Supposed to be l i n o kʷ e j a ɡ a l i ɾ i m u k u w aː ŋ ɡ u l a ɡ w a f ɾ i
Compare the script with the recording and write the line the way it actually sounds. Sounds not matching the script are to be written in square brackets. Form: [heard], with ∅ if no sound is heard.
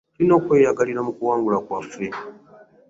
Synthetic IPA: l i n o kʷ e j a ɡ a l i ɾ [a] m u k u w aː ŋ ɡ u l a [k] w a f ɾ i